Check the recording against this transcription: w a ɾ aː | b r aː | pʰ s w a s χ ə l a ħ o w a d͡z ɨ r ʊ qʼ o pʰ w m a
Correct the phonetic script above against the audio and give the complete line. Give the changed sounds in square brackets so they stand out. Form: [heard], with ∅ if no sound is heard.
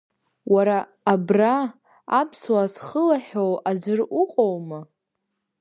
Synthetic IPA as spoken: w a ɾ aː | b r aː | pʰ s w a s χ ə l a ħ o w a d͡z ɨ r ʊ qʼ o [∅] w m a